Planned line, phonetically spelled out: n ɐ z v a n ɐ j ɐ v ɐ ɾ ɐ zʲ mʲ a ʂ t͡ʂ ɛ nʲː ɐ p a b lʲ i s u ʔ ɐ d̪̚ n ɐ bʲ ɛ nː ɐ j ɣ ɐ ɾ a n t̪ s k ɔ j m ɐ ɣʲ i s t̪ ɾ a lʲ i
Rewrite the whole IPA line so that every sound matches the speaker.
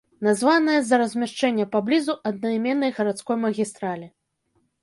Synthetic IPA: n a z v a n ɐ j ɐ z ɐ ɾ ɐ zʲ mʲ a ʂ t͡ʂ ɛ nʲː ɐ p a b lʲ i z u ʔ ɐ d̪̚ n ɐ mʲ ɛ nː ɐ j ɣ ɐ ɾ a t̪ s k ɔ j m ɐ ɣʲ i s t̪ ɾ a lʲ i